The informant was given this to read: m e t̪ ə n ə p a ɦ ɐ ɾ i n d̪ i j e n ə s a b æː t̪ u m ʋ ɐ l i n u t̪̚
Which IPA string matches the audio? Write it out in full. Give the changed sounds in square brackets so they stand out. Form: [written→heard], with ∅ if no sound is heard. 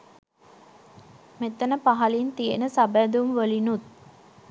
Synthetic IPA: m e t̪ ə n ə p a ɦ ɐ [ɾ→l] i n [d̪→t̪] i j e n ə s a b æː [t̪→d̪] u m ʋ [ɐ→ə] l i n u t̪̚